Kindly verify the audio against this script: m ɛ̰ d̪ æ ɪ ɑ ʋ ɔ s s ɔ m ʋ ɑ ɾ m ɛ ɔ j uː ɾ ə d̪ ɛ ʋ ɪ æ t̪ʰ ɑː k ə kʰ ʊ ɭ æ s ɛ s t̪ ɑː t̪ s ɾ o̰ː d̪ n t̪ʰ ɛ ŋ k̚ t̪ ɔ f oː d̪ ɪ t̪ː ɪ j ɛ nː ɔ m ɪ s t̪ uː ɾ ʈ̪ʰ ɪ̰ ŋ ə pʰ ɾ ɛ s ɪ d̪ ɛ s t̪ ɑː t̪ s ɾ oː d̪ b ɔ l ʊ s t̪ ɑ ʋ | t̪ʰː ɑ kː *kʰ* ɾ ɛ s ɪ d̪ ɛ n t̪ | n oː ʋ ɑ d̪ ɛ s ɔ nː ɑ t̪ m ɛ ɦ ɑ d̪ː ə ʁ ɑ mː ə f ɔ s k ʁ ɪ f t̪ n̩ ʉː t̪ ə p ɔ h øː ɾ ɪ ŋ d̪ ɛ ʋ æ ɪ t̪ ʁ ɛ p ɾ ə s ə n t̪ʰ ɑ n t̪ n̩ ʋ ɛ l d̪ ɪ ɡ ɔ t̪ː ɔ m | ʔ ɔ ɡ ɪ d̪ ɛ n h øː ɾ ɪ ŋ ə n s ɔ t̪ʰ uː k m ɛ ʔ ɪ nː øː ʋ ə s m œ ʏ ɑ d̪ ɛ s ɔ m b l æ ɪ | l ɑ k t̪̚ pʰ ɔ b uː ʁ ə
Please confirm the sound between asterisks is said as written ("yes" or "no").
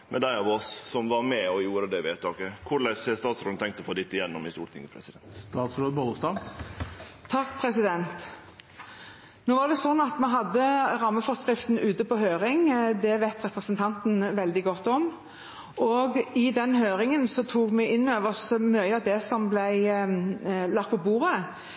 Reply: no